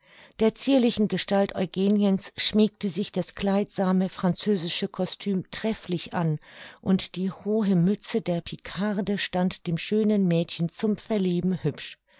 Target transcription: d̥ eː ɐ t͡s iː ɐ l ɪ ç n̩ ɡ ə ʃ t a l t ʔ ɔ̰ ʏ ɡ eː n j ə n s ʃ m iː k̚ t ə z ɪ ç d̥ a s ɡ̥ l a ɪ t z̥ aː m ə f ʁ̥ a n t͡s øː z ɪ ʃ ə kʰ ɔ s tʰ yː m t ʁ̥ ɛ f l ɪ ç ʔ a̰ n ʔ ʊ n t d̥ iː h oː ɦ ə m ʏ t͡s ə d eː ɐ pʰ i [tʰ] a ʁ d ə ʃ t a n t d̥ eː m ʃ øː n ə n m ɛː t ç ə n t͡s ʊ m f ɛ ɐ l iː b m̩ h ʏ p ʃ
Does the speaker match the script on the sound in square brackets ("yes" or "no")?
no